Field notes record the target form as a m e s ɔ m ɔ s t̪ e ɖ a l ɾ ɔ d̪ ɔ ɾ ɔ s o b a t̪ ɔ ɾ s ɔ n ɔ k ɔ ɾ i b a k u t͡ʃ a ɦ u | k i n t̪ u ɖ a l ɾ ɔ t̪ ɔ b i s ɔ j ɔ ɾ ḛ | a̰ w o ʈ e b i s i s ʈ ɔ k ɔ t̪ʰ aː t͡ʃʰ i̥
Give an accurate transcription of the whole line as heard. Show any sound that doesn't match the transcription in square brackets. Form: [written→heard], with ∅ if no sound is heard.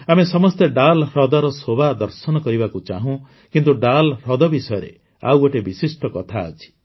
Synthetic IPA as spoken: a m e s ɔ m ɔ s t̪ e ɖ a l ɾ ɔ d̪ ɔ ɾ ɔ s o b a [t̪→d̪] ɔ ɾ s ɔ n ɔ k ɔ ɾ i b a k u t͡ʃ a ɦ [u→ũ] | k i n t̪ u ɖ a l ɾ ɔ [t̪→d̪] ɔ b i s ɔ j ɔ ɾ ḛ | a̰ w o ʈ e b i s i s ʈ ɔ k ɔ t̪ʰ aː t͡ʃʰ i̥